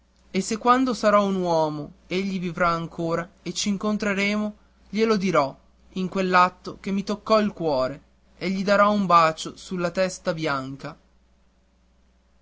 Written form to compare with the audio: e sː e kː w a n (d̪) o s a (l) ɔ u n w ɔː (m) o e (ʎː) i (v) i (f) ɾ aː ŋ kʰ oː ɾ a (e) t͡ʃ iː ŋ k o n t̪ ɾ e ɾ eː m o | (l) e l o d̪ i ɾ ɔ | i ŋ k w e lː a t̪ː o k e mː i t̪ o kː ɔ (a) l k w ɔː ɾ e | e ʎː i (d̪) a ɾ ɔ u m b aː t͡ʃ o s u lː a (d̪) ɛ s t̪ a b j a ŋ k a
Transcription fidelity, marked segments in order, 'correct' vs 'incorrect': correct, incorrect: ɾ, correct, correct, correct, incorrect: v, correct, incorrect: ʎ, incorrect: i, correct, incorrect: t̪

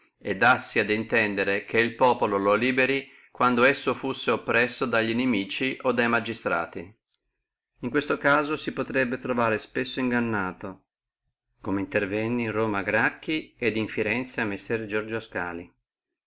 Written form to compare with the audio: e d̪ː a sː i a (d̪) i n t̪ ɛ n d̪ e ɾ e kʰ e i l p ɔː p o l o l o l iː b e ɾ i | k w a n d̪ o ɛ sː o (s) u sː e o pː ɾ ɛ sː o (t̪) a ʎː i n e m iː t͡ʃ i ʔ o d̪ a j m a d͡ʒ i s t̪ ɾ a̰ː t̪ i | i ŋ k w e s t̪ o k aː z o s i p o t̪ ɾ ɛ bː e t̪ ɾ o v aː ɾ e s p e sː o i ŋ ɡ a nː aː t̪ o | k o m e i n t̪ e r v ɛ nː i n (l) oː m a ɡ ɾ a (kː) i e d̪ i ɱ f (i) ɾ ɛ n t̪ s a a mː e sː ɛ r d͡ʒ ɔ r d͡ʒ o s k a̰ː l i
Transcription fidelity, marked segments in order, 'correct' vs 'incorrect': correct, incorrect: f, incorrect: d̪, incorrect: r, correct, correct

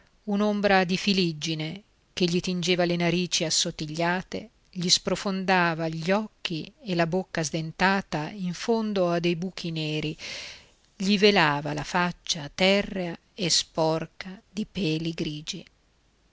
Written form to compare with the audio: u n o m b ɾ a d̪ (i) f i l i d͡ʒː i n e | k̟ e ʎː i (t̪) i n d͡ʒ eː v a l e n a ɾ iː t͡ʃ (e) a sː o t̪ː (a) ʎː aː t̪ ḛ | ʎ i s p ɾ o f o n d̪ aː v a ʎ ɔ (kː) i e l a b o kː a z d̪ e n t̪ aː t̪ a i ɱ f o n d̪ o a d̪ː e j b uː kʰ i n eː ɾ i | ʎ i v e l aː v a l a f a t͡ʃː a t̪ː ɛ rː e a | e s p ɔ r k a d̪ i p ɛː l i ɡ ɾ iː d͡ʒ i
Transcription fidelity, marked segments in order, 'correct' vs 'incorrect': correct, correct, incorrect: i, incorrect: i, correct

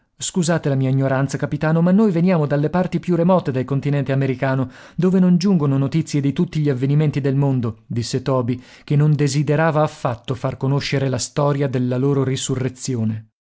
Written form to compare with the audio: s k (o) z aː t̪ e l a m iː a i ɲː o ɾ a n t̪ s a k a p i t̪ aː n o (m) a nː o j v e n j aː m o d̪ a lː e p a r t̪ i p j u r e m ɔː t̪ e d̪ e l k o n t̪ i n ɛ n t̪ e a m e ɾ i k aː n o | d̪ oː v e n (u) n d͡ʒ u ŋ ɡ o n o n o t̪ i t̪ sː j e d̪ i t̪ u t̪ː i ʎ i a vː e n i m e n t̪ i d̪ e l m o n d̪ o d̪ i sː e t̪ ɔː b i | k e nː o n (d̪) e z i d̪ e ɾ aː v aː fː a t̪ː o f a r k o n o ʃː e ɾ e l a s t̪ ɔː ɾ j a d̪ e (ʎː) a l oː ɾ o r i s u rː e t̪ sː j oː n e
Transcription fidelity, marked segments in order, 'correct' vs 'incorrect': incorrect: u, correct, incorrect: o, correct, incorrect: lː

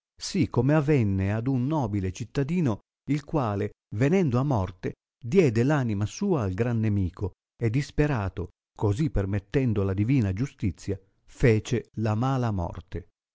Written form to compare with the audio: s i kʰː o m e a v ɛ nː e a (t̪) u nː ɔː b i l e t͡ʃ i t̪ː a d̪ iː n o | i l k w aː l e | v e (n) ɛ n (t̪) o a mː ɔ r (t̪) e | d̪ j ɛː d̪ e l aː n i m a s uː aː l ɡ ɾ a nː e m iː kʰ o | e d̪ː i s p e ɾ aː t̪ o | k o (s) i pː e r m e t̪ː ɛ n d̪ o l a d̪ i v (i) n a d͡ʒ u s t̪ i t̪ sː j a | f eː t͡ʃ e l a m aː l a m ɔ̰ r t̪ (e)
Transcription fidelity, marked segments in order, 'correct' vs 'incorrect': incorrect: d̪, correct, incorrect: d̪, correct, incorrect: z, incorrect: iː, correct

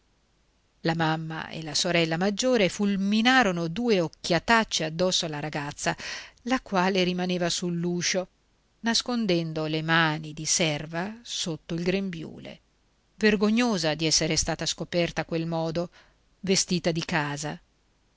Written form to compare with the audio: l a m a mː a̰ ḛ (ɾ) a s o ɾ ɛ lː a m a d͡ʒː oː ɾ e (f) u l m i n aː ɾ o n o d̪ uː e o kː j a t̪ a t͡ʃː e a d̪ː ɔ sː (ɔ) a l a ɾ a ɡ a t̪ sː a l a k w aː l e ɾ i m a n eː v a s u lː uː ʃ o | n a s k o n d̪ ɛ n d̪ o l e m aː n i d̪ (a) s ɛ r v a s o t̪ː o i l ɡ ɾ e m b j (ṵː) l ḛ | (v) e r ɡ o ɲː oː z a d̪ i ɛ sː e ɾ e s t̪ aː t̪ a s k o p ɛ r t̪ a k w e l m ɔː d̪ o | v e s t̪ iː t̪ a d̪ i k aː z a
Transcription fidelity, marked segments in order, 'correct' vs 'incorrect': incorrect: l, correct, incorrect: o, incorrect: i, correct, correct

